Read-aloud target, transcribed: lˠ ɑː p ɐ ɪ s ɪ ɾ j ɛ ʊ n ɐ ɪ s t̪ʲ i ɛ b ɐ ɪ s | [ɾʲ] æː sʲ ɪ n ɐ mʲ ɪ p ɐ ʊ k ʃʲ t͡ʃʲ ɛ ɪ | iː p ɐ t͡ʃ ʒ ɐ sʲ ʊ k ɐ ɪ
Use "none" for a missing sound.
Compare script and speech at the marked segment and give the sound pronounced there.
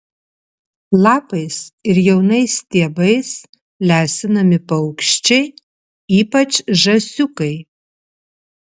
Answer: lʲ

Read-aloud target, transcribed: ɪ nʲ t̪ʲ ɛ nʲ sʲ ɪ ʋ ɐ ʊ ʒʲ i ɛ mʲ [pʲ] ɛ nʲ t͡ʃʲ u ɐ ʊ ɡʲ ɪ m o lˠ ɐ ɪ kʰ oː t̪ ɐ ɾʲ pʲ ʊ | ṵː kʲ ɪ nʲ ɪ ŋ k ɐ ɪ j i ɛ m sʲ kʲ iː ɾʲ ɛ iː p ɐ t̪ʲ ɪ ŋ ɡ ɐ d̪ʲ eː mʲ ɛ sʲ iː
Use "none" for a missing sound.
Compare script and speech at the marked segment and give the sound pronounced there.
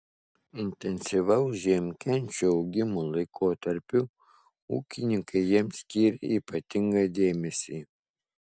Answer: kʲ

